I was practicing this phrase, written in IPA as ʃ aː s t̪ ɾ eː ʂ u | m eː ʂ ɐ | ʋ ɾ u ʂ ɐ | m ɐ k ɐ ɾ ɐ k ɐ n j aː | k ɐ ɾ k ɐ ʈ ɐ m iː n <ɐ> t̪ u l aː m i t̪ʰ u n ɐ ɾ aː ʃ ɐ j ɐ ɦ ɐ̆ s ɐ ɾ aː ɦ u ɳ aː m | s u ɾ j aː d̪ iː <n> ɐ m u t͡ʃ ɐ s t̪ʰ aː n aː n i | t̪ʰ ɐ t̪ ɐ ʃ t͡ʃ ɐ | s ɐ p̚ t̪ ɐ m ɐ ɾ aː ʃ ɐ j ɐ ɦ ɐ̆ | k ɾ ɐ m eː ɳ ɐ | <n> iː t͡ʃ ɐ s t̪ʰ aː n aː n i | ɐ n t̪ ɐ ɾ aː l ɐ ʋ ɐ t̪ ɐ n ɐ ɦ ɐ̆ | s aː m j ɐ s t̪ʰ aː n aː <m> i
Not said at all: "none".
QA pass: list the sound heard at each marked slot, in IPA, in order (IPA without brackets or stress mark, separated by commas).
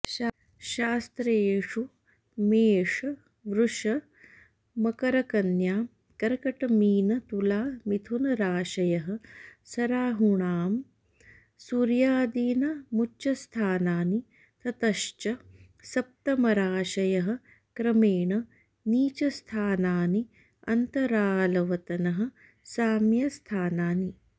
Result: ɐ, n, n, n